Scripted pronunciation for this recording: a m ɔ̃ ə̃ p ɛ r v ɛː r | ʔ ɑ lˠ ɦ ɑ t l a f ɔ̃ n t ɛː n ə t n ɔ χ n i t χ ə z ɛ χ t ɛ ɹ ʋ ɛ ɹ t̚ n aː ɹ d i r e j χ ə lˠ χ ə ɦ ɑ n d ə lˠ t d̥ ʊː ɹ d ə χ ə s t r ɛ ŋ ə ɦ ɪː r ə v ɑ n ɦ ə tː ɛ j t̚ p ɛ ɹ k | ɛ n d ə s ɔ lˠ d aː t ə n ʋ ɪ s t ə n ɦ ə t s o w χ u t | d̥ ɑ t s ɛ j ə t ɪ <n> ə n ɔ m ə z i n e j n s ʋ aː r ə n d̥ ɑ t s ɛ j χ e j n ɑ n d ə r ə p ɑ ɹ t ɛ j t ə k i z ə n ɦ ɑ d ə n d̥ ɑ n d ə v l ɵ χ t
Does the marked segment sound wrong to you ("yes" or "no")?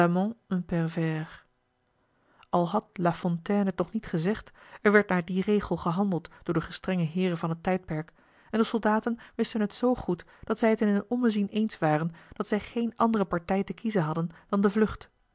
no